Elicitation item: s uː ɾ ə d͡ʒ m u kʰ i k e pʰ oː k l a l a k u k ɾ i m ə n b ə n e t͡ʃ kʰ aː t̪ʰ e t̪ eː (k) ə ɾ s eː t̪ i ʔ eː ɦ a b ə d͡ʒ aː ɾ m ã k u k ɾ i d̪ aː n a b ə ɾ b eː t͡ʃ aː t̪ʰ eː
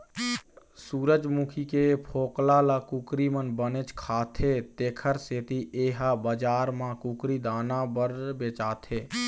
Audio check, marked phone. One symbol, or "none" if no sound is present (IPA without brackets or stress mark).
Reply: kʰ